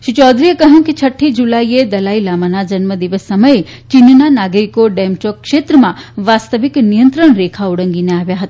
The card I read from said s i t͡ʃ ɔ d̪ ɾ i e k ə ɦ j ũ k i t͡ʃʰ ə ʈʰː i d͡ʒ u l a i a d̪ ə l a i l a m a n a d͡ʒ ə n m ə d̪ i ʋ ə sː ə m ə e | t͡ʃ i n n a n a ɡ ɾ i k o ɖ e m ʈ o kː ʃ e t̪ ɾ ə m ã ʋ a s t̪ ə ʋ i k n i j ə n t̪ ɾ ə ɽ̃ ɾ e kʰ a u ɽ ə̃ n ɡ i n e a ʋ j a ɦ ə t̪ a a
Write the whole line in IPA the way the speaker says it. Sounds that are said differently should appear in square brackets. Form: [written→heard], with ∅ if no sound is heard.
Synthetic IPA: [s→ʃ] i t͡ʃ ɔ d̪ ɾ i e k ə ɦ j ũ k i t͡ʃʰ ə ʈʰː i d͡ʒ u l a i [a→e] d̪ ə l a i l a m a n a d͡ʒ ə n m ə d̪ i ʋ ə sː ə m ə e | t͡ʃ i n n a n a ɡ ɾ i k o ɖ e m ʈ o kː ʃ e t̪ ɾ ə m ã ʋ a s t̪ ə ʋ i k n i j ə n t̪ ɾ ə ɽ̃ ɾ e kʰ a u ɽ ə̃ [n→ŋ] ɡ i n e a ʋ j a ɦ ə t̪ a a